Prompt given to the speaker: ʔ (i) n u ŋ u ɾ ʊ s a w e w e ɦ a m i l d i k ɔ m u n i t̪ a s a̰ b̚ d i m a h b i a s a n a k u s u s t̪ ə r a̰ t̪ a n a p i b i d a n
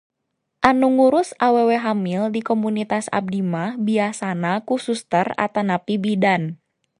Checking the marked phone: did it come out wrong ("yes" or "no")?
yes